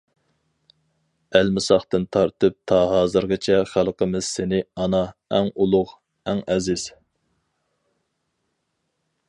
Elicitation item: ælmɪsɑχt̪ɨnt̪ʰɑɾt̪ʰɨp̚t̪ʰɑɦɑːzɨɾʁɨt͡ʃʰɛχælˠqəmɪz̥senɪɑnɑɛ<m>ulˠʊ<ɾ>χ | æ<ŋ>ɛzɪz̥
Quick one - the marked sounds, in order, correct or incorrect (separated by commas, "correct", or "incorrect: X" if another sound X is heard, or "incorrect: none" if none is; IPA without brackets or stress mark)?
incorrect: ŋ, incorrect: none, correct